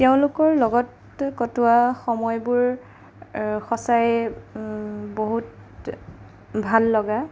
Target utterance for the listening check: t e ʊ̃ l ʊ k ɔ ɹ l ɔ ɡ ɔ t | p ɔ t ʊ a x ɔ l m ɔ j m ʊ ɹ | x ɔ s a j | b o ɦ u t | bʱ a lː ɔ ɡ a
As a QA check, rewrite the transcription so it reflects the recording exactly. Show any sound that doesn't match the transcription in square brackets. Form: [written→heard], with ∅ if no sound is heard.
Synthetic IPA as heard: t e ʊ̃ l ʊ k ɔ ɹ l ɔ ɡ ɔ t | [p→k] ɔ t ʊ a x ɔ [l→∅] m ɔ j [m→b] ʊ ɹ | x ɔ s a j | b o ɦ u t | bʱ a lː ɔ ɡ a